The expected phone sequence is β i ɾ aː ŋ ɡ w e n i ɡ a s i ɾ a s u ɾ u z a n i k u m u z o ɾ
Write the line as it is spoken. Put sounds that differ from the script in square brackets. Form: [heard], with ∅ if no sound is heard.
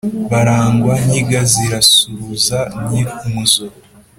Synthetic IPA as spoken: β [a] ɾ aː ŋ ɡ w [a] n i ɡ a [z] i ɾ a s u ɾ u z a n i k u m u z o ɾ